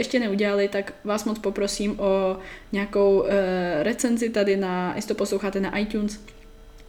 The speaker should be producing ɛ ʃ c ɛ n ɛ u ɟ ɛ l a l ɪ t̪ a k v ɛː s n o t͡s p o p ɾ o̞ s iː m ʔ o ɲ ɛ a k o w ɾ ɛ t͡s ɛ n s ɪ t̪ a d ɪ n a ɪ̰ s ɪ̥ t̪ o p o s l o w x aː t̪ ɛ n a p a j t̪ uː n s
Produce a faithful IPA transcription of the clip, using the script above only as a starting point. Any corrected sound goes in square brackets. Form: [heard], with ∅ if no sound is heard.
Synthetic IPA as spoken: ɛ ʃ c ɛ n ɛ u ɟ ɛ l a l ɪ t̪ a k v [aː] s [m] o t͡s p o p ɾ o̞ s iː m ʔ o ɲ ɛ a k o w ɾ ɛ t͡s ɛ n [z] ɪ t̪ a d ɪ n a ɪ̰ s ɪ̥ t̪ o p o s l o w x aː t̪ ɛ n a [ʔ] a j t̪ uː n s